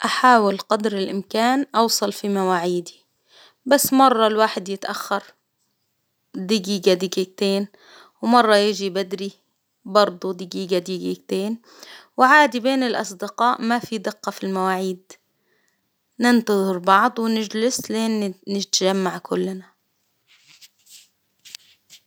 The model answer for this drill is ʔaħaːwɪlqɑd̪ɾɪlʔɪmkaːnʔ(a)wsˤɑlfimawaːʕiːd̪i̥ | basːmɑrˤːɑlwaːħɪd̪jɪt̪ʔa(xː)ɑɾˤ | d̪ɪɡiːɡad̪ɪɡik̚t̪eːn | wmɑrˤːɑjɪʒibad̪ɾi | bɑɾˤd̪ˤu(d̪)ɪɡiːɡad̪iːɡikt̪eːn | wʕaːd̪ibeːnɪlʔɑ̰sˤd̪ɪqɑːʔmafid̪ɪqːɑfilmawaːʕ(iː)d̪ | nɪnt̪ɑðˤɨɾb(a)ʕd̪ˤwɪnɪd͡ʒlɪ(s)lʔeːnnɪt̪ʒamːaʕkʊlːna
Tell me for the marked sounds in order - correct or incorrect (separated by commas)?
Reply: incorrect, correct, correct, correct, incorrect, correct